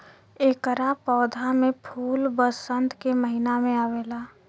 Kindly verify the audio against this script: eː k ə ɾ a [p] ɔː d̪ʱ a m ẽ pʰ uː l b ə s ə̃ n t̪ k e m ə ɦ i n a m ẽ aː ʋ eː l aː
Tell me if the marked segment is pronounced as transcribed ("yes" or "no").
yes